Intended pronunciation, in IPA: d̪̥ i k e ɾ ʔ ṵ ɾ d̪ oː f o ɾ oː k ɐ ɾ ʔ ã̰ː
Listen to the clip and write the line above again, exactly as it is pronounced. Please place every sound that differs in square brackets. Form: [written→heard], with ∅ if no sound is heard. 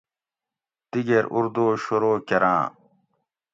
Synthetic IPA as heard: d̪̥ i [k→ɡ] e ɾ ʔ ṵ ɾ d̪ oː [f→ɕ] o ɾ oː k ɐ ɾ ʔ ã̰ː